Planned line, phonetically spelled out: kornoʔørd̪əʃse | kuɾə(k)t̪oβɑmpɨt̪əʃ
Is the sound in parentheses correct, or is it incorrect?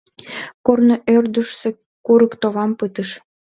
correct